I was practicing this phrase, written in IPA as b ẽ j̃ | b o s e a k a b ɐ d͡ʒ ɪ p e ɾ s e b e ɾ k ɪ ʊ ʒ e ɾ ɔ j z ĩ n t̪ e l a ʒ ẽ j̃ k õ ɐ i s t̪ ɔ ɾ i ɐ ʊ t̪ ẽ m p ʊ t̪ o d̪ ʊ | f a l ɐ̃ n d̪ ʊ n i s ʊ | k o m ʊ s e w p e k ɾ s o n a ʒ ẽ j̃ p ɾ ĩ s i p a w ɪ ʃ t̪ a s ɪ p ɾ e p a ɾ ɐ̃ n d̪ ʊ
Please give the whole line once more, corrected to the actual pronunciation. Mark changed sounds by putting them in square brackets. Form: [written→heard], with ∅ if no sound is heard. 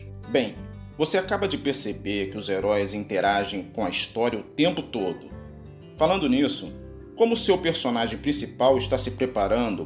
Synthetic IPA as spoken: b ẽ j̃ | [b→v] o s e a k a b ɐ d͡ʒ ɪ p e ɾ s e b e ɾ k ɪ ʊ [ʒ→z] e ɾ ɔ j z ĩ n t̪ e [l→ɾ] a ʒ ẽ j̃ k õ ɐ i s t̪ ɔ ɾ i ɐ ʊ t̪ ẽ m p ʊ t̪ o d̪ ʊ | f a l ɐ̃ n d̪ ʊ n i s ʊ | k [o→õ] m ʊ s e w p e [k→∅] ɾ s o n a ʒ ẽ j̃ p ɾ ĩ s i p a w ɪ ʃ t̪ a s ɪ p ɾ e p a ɾ ɐ̃ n d̪ ʊ